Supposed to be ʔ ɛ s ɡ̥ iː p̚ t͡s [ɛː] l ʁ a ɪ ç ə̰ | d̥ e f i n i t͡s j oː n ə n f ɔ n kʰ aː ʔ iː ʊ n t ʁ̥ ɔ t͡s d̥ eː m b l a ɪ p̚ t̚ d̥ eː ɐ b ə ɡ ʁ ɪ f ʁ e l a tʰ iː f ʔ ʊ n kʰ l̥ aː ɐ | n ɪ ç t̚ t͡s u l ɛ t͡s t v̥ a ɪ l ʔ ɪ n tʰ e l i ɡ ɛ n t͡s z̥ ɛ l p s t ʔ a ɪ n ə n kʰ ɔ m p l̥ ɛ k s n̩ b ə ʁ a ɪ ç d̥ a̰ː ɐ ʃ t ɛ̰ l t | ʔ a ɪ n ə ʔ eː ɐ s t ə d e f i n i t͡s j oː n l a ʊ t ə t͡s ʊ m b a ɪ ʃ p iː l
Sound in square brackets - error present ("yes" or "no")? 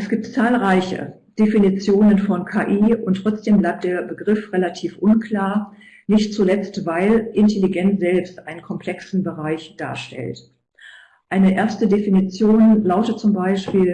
yes